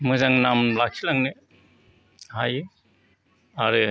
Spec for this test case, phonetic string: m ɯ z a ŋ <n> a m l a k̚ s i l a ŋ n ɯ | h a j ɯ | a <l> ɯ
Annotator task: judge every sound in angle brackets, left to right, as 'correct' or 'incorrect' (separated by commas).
correct, incorrect